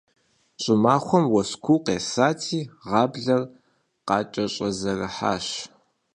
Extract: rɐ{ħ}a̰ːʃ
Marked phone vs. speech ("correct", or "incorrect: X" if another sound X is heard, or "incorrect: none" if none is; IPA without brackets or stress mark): correct